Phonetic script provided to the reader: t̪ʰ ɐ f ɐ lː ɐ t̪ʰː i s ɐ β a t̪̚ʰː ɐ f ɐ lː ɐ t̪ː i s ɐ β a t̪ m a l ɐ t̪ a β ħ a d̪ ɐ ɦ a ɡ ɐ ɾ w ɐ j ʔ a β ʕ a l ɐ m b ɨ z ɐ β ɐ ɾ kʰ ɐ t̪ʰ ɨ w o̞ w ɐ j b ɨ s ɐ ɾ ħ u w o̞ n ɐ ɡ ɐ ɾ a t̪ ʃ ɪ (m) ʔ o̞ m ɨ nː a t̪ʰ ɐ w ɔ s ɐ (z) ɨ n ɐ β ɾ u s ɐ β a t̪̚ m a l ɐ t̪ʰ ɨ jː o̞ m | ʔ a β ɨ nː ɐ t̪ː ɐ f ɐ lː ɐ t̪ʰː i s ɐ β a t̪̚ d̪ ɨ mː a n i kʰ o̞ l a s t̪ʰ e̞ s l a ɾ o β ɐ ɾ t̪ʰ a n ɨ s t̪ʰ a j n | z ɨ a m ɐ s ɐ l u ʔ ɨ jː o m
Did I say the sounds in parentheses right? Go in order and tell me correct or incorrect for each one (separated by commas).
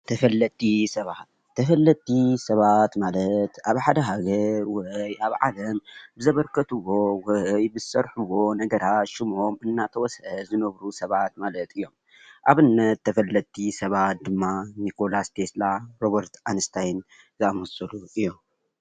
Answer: correct, correct